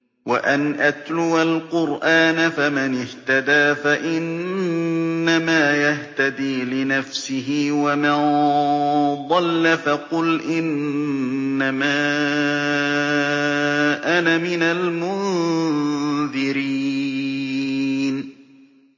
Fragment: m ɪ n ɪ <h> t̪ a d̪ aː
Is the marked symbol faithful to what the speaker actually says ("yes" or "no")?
yes